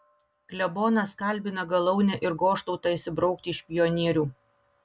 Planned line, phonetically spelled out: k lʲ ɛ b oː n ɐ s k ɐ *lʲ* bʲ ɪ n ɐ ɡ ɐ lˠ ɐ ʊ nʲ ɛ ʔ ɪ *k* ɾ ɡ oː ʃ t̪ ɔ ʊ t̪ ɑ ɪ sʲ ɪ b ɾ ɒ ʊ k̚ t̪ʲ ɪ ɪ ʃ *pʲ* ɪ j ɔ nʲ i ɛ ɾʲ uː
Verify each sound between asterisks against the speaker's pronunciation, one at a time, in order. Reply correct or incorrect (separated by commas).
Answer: correct, incorrect, correct